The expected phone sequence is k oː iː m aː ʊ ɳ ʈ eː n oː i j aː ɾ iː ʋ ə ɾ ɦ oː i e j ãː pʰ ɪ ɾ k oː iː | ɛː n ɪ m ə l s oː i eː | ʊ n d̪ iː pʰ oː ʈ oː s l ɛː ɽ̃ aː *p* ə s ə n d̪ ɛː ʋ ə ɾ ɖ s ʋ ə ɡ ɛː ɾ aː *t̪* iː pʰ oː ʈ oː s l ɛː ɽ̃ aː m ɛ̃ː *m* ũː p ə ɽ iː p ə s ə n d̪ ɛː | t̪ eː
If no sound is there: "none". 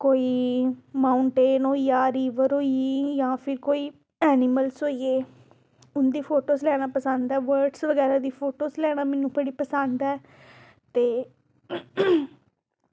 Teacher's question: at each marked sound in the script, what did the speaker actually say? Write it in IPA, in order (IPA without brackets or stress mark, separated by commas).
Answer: p, d̪, n